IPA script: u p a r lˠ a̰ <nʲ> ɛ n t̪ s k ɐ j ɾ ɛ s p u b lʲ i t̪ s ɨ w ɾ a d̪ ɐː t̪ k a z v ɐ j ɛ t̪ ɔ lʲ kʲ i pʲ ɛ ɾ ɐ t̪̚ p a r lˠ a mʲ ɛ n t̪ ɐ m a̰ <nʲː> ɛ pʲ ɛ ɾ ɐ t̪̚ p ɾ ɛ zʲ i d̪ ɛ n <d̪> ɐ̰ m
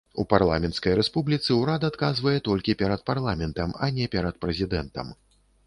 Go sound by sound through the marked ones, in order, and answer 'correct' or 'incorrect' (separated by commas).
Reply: incorrect, incorrect, incorrect